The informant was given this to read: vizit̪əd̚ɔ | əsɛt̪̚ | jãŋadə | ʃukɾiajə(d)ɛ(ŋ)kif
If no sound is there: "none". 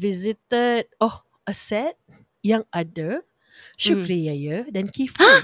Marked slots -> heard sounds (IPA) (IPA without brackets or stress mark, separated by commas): d, n